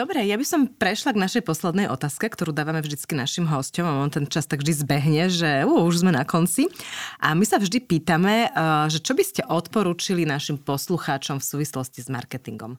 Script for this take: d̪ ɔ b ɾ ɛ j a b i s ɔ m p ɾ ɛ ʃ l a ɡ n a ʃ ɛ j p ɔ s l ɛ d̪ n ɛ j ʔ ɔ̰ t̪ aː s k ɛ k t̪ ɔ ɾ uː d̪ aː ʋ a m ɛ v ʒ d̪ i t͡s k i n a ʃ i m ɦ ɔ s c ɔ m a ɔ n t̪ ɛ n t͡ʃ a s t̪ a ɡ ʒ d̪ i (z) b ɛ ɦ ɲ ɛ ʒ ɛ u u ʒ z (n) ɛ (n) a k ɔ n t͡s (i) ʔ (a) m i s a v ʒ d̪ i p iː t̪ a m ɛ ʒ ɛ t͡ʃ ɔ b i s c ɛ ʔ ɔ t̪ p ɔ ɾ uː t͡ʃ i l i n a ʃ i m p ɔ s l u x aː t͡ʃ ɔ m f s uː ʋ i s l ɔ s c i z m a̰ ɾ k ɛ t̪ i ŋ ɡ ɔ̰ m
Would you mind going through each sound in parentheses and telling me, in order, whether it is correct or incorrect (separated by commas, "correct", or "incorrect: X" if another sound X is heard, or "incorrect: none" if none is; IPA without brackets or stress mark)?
correct, incorrect: m, correct, correct, correct